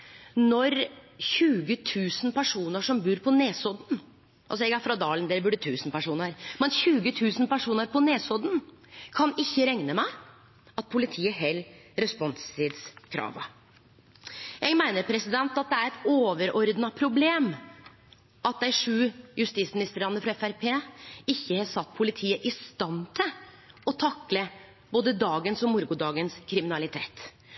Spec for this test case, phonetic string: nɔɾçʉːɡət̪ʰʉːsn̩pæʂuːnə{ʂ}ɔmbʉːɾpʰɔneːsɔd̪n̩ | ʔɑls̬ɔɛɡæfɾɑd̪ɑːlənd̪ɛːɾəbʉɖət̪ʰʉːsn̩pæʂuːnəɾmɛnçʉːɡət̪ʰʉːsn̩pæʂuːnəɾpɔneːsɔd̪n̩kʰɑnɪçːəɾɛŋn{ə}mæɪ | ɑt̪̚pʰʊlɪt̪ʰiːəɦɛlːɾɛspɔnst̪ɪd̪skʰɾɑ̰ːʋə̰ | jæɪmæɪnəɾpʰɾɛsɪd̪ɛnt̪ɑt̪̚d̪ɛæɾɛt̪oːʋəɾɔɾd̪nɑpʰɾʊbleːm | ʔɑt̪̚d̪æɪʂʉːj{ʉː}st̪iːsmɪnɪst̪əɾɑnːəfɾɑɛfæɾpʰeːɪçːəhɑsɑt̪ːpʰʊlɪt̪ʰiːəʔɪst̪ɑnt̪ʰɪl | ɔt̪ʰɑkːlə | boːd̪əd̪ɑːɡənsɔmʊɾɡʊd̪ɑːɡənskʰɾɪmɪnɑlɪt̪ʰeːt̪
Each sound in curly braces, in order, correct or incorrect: correct, correct, incorrect

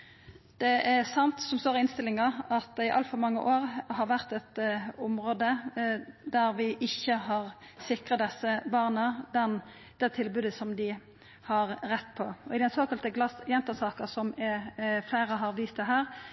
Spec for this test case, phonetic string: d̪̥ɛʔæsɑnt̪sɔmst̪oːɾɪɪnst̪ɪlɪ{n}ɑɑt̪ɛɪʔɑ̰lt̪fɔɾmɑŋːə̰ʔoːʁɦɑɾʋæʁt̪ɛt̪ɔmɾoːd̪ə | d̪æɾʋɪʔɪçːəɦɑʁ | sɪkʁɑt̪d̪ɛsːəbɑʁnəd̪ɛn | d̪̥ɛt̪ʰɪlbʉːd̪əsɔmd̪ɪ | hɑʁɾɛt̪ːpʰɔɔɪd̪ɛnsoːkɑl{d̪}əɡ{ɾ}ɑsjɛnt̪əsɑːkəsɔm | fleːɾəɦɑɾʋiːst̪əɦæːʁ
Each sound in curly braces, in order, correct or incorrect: incorrect, incorrect, incorrect

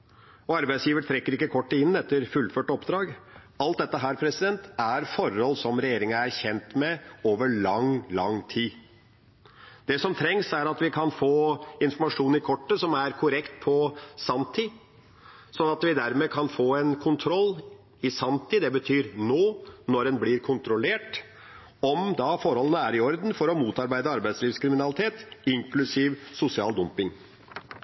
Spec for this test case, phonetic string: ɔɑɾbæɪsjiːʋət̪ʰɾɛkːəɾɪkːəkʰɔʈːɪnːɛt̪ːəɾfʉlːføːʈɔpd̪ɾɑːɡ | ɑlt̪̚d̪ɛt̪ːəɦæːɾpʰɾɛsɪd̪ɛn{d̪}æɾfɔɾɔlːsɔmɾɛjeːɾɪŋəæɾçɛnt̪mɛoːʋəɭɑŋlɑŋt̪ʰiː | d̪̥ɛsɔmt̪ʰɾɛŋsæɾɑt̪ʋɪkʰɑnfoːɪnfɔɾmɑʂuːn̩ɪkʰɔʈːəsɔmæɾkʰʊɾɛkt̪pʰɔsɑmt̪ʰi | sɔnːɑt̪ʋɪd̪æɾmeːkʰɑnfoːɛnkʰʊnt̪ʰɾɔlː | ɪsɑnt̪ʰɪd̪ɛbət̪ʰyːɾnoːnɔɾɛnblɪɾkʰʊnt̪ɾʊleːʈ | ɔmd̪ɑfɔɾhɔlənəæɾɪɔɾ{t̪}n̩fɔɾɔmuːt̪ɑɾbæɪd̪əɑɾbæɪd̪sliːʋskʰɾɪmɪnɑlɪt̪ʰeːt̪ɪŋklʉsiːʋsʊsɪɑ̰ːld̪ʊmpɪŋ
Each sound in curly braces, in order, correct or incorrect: incorrect, incorrect

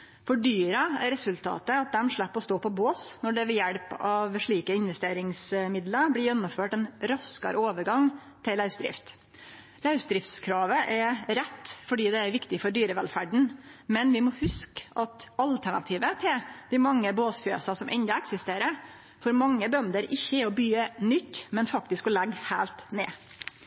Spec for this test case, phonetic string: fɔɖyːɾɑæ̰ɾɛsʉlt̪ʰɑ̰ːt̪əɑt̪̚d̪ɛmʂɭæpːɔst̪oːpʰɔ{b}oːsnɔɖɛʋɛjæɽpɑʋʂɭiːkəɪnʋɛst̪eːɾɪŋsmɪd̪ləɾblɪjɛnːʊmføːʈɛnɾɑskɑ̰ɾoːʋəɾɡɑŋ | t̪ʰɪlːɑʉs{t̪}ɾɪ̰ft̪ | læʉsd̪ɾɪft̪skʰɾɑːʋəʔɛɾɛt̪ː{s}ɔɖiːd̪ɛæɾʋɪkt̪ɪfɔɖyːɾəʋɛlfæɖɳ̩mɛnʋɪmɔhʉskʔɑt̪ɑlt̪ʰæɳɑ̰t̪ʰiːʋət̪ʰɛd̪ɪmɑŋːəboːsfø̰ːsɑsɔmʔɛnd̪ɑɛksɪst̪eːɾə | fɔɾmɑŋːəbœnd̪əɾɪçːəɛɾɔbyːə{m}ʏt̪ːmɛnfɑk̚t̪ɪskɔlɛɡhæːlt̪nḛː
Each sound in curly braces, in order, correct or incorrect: correct, incorrect, incorrect, incorrect

